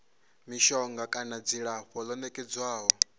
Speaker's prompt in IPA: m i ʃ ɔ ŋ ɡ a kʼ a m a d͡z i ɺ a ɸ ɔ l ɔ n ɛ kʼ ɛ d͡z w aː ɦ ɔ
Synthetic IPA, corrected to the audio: m i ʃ ɔ ŋ ɡ a kʼ a n a d͡z i ɺ a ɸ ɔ l ɔ n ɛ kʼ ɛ d͡z w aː ɦ ɔ